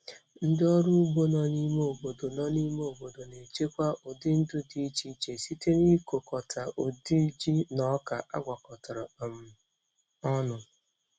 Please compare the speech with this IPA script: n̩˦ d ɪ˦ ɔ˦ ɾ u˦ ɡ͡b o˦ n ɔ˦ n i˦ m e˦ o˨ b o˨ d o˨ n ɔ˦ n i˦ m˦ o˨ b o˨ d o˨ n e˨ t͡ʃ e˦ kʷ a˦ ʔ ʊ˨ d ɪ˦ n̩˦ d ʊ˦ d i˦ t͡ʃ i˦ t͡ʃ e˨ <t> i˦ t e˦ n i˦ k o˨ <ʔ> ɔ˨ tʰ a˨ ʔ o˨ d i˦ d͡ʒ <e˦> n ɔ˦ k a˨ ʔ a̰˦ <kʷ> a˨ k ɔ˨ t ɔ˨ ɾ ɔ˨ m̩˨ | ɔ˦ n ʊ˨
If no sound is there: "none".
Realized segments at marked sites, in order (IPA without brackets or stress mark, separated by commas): s, k, i˦, ɡʷ